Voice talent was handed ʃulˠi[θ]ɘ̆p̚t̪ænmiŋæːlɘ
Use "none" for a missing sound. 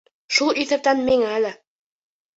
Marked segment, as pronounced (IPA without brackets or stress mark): θ